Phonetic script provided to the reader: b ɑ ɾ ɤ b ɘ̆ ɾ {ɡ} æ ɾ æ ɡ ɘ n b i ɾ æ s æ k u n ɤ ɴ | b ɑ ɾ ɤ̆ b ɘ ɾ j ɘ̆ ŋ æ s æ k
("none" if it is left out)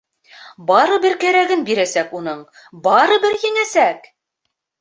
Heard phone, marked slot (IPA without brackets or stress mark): k